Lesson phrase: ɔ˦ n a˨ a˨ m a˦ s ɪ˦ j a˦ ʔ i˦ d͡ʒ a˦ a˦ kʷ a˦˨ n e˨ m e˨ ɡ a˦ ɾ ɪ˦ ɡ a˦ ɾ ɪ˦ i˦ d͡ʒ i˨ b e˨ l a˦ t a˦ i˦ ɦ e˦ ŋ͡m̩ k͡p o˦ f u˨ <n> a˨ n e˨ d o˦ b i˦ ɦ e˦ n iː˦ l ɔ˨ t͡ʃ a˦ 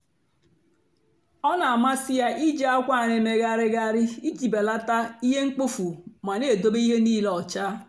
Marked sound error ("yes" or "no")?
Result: yes